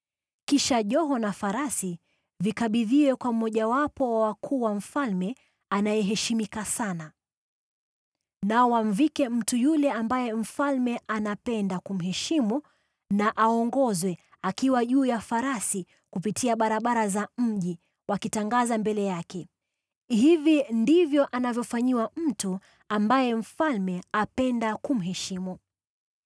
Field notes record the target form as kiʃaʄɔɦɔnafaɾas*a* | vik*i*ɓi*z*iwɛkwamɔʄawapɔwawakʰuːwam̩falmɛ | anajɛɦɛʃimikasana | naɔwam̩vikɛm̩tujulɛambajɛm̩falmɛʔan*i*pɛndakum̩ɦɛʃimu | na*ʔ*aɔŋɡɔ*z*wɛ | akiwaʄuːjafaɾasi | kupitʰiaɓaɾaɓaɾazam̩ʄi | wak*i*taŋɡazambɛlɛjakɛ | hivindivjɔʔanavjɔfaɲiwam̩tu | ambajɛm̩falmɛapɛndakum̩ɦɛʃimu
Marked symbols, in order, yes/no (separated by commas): no, no, no, no, yes, yes, yes